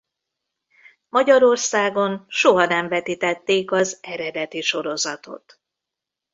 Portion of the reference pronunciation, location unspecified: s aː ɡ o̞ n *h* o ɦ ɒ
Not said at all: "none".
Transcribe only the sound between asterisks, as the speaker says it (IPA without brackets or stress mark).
ʃ